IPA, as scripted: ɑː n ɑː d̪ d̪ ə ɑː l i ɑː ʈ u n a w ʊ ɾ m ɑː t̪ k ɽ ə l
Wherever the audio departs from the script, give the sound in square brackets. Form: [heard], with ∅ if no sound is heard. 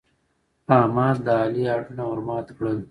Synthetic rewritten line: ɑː [m] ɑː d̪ d̪ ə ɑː l i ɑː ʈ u n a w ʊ ɾ m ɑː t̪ k ɽ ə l